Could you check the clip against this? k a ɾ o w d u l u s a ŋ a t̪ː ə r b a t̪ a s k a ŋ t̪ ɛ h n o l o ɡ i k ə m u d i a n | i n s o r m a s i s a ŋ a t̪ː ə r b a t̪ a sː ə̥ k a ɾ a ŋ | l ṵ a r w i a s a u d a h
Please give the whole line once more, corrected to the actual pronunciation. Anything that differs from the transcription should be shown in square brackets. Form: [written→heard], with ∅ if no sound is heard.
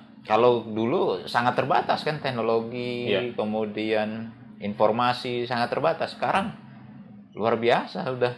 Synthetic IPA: k a [ɾ→l] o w d u l u s a ŋ a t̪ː ə r b a t̪ a s k a [ŋ→n] t̪ ɛ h n o l o ɡ i k ə m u d i a n | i n [s→f] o r m a s i s a ŋ a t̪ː ə r b a t̪ a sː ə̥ k a ɾ a ŋ | l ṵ a r [w→b] i a s a u d a h